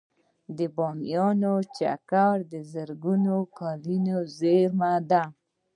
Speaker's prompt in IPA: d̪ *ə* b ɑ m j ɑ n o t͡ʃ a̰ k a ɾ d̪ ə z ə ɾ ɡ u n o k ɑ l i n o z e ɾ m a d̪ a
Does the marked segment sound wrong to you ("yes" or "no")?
no